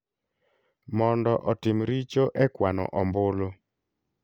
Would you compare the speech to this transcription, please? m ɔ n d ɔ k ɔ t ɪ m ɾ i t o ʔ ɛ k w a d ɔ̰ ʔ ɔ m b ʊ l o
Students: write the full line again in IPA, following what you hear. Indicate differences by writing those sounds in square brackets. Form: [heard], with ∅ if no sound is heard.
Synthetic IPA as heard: m ɔ n d ɔ [ʔ] ɔ t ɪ m ɾ i [t͡ʃ] o ʔ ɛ k w a [n] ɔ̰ ʔ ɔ m b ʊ l o